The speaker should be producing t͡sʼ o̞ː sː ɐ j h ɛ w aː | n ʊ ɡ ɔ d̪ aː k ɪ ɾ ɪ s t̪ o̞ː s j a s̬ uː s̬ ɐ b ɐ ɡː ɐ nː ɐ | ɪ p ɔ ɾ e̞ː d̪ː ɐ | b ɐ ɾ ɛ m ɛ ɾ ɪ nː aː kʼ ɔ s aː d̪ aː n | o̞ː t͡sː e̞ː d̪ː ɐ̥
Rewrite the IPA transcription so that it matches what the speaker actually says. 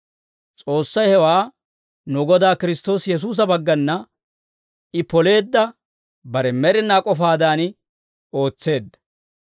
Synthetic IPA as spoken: t͡sʼ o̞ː sː ɐ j h ɛ w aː | n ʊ ɡ ɔ d̪ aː k ɪ ɾ ɪ s t̪ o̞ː s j ɛ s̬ uː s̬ ɐ b ɐ ɡː ɐ nː ɐ | ɪ p ɔ l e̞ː d̪ː ɐ | b ɐ ɾ ɛ m ɛ ɾ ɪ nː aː kʼ ɔ f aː d̪ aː n | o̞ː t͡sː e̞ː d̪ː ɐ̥

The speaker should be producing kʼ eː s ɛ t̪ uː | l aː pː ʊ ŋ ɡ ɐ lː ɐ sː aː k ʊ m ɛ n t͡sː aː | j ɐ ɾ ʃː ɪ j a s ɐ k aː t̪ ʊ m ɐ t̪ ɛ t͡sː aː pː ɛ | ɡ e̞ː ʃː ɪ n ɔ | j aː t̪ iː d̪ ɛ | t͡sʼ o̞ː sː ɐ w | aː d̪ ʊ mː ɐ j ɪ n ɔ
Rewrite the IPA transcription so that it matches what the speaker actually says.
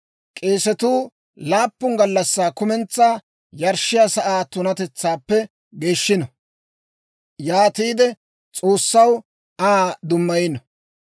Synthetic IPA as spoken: kʼ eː s ɛ t̪ uː | l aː pː ʊ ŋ ɡ ɐ lː ɐ sː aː k ʊ m ɛ n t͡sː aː | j ɐ ɾ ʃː ɪ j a s ɐ ʔ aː t̪ ʊ n ɐ t̪ ɛ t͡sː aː pː ɛ | ɡ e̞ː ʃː ɪ n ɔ | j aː t̪ iː d̪ ɛ | t͡sʼ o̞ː sː ɐ w | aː d̪ ʊ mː ɐ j ɪ n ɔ

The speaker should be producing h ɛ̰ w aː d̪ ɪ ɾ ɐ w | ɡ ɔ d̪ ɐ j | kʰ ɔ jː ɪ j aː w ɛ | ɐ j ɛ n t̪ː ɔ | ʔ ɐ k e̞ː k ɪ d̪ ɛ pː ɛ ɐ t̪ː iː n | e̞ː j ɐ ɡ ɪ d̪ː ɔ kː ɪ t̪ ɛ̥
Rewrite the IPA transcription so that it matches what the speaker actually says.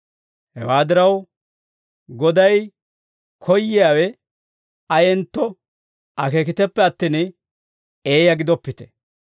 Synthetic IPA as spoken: h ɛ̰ w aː d̪ ɪ ɾ ɐ w | ɡ ɔ d̪ ɐ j | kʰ ɔ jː ɪ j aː w ɛ | ɐ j ɛ n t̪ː ɔ | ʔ ɐ k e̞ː k ɪ t̪ ɛ pː ɛ ɐ t̪ː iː n | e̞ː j ɐ ɡ ɪ d̪ ɔ pː ɪ t̪ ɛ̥

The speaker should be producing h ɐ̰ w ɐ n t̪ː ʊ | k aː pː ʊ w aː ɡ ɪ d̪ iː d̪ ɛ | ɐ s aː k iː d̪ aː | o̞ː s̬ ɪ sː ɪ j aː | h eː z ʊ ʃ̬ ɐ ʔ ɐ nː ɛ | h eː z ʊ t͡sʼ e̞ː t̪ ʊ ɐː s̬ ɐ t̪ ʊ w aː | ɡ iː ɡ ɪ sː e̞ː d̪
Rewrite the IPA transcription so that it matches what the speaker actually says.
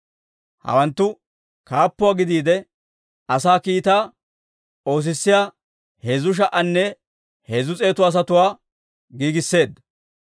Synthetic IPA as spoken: h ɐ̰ w ɐ n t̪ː ʊ | k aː pː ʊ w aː ɡ ɪ d̪ iː d̪ ɛ | ɐ s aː k iː t̪ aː | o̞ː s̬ ɪ sː ɪ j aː | h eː z ʊ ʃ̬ ɐ ʔ ɐ nː ɛ | h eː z ʊ t͡sʼ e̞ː t̪ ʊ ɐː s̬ ɐ t̪ ʊ w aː | ɡ iː ɡ ɪ sː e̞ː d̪

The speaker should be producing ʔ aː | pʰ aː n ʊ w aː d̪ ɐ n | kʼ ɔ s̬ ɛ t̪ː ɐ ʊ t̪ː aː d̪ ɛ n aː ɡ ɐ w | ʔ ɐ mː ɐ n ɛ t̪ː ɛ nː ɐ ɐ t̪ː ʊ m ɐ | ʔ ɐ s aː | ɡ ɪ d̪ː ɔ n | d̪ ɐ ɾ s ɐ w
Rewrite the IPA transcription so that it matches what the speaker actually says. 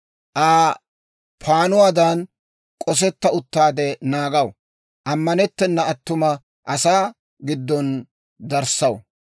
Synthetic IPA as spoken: ʔ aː | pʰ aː n ʊ w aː d̪ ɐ n | kʼ ɔ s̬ ɛ t̪ː ɐ ʊ t̪ː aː d̪ ɛ n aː ɡ ɐ w | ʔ ɐ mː ɐ n ɛ t̪ː ɛ nː ɐ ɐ t̪ː ʊ m ɐ | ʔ ɐ s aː | ɡ ɪ d̪ː ɔ n | d̪ ɐ ɾ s ɐ w

